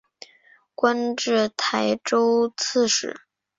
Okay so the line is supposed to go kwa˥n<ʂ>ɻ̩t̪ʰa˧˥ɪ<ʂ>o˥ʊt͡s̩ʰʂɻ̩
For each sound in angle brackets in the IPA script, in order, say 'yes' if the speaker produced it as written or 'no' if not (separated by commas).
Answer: no, no